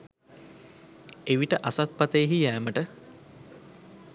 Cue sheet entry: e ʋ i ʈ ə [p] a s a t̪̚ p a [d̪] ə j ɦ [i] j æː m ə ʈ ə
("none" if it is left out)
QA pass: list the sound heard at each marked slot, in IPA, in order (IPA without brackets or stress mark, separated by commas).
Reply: ʔ, t̪, i